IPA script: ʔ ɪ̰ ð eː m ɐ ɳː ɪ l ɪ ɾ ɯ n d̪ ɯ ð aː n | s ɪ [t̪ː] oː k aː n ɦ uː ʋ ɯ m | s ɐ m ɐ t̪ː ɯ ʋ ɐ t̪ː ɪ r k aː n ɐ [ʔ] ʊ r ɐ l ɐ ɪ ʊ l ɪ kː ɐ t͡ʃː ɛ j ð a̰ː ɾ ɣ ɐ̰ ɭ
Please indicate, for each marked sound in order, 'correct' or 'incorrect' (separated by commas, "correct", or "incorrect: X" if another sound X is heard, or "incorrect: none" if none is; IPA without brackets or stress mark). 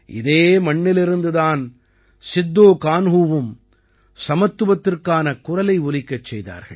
incorrect: d̪ː, incorrect: k